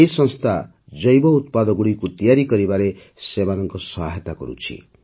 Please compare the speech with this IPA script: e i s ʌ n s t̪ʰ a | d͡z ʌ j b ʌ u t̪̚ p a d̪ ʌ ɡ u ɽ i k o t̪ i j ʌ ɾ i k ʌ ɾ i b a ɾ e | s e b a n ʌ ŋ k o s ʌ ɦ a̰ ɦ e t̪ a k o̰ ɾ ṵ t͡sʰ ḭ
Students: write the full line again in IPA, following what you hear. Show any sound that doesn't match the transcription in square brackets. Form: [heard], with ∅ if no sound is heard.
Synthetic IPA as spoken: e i s ʌ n s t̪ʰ a | d͡z ʌ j b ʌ u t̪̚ p a d̪ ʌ ɡ u ɽ i k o t̪ i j [a] ɾ i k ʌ ɾ i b a ɾ e | s e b a n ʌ ŋ k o s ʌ ɦ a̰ ɦ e t̪ a k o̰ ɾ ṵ t͡sʰ ḭ